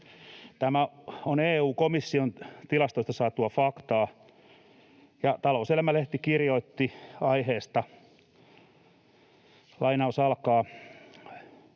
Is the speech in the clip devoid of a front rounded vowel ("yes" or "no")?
yes